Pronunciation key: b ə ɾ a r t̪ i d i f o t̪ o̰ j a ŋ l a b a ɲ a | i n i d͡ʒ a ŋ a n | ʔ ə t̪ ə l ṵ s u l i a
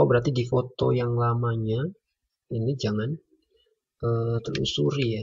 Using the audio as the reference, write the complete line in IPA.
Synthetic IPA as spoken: b ə ɾ a r t̪ i d i f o t̪ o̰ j a ŋ l a m a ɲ a | i n i d͡ʒ a ŋ a n | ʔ ə t̪ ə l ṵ s u ɾ i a